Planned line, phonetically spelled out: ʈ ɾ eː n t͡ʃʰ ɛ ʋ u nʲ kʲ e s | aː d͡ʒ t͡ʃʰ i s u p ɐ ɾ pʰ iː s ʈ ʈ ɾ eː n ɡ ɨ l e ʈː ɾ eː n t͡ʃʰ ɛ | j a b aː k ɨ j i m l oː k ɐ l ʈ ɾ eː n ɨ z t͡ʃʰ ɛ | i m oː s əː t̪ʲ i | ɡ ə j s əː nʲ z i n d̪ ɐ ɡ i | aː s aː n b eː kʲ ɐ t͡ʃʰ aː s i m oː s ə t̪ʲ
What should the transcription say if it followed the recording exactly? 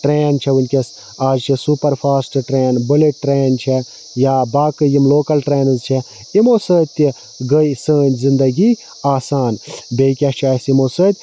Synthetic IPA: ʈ ɾ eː n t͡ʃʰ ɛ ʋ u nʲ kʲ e s | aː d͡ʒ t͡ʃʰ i s u p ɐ ɾ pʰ aː s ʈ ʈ ɾ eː n b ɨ l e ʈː ɾ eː n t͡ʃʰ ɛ | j a b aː k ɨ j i m l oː k ɐ l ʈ ɾ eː n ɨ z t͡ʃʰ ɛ | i m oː s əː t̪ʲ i | ɡ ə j s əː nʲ z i n d̪ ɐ ɡ i | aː s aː n b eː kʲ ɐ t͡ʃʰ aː s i m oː s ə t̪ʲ

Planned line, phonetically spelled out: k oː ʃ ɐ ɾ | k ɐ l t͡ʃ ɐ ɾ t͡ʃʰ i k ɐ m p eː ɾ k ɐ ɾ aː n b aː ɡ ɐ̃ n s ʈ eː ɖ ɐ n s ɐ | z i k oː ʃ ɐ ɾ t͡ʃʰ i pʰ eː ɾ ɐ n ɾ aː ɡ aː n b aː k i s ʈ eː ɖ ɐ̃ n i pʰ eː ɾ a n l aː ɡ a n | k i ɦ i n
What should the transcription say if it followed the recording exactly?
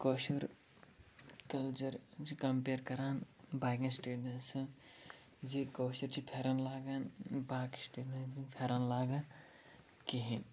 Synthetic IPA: k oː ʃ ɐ ɾ | k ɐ l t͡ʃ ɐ ɾ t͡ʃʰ i k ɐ m p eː ɾ k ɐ ɾ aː n b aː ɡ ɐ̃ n s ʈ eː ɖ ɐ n s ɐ | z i k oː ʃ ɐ ɾ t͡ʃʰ i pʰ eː ɾ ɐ n l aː ɡ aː n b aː k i s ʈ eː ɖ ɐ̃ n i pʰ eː ɾ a n l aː ɡ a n | k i ɦ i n

